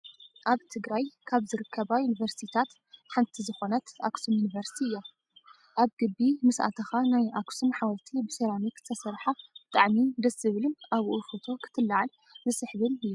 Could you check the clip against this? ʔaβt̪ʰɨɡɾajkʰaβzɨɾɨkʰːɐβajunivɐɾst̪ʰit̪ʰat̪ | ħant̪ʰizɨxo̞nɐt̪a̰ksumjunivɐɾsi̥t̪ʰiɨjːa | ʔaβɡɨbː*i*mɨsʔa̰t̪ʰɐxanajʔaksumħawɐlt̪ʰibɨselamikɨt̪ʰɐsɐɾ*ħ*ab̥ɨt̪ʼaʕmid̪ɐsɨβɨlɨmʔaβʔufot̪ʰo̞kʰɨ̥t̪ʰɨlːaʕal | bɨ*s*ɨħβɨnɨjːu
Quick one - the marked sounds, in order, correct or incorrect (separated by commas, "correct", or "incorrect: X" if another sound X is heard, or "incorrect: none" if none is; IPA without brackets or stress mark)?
correct, correct, correct